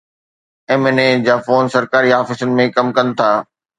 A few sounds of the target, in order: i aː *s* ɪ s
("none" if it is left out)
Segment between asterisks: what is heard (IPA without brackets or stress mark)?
f